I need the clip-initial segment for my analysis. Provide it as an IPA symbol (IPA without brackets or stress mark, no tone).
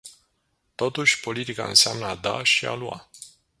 t̪